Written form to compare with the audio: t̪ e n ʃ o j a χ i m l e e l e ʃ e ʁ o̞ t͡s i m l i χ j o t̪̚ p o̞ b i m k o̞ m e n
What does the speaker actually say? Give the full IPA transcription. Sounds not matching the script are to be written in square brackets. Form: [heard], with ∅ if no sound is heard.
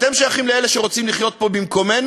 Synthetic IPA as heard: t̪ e [m] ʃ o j a χ i m l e e l e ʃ e ʁ o̞ t͡s i m l i χ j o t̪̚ p o̞ b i m k o̞ m e n